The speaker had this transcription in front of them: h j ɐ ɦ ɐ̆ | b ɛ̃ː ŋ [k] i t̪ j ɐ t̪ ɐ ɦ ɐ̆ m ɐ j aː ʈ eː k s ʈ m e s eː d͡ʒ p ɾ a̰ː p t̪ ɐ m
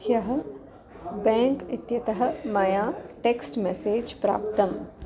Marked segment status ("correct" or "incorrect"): correct